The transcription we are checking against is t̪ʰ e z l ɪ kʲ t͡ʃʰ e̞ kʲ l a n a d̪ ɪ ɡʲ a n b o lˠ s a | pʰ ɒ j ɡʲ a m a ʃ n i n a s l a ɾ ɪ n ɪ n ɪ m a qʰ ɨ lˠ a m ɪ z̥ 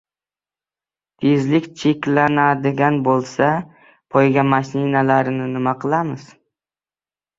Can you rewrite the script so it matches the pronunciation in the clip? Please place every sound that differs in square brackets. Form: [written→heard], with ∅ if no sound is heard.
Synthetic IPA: t̪ʰ e z l ɪ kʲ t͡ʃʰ e̞ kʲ l a n a d̪ ɪ ɡʲ a n b o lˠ s a | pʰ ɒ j ɡʲ a m a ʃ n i n a [s→∅] l a ɾ ɪ n ɪ n ɪ m a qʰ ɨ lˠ a m ɪ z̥